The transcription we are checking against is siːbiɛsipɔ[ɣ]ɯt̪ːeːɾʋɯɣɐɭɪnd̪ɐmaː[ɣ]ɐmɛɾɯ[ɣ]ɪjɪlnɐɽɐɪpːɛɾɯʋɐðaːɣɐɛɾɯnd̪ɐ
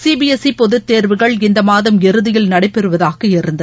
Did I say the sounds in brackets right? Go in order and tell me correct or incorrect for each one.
incorrect: ð, incorrect: ð, incorrect: ð

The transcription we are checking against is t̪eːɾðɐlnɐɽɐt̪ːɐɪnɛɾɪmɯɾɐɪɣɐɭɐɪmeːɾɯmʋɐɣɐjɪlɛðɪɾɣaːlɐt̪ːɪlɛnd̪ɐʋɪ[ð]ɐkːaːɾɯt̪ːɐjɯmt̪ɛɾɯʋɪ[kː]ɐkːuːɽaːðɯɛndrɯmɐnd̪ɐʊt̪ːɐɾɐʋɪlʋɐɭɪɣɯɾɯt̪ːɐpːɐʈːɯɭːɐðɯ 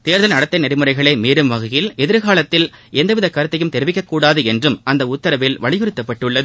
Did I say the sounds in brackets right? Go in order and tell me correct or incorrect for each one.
correct, correct

